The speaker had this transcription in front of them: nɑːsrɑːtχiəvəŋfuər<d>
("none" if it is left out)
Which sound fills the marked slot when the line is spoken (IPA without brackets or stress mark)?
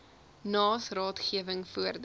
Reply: d